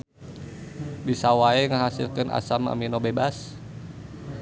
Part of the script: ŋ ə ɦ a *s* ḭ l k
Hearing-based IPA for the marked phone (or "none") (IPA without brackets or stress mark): s